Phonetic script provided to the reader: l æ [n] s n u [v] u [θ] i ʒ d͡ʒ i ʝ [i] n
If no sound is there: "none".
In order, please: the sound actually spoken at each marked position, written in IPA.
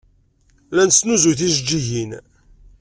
n, z, θ, i

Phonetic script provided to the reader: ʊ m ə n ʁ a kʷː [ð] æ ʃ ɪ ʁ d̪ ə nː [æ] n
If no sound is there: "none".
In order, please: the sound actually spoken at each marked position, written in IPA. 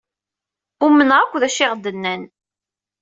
ð, æ

